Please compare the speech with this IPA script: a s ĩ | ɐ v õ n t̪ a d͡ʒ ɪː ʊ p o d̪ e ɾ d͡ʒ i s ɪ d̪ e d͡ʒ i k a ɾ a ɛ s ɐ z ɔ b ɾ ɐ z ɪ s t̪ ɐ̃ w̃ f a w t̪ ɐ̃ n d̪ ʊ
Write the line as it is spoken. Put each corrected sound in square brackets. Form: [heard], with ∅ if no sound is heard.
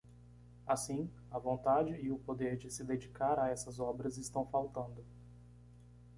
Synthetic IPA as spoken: a s ĩ | ɐ v õ n t̪ a d͡ʒ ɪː ʊ p o d̪ e ɾ d͡ʒ [ɪ] s ɪ d̪ e d͡ʒ i k a ɾ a ɛ s ɐ z ɔ b ɾ ɐ z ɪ s t̪ ɐ̃ w̃ f a w t̪ ɐ̃ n d̪ ʊ